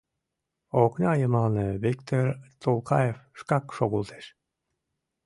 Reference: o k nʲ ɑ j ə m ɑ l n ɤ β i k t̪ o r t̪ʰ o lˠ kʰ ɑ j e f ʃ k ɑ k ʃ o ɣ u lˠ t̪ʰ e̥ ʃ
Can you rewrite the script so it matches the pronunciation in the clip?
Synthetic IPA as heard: o k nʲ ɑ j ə m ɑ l n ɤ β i k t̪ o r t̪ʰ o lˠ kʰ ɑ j e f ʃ k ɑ k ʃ o ɣ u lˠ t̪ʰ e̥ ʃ